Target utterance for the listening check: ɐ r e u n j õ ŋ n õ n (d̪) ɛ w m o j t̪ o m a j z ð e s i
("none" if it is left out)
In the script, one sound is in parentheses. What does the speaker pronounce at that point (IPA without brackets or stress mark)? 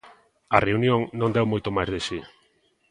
d̪